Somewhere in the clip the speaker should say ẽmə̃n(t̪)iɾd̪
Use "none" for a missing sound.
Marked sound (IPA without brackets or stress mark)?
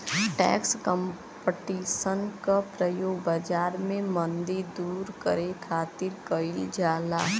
d̪